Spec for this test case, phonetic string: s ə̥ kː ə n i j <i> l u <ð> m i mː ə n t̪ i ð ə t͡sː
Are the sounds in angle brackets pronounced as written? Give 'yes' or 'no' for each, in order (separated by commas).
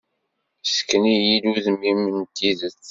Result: yes, yes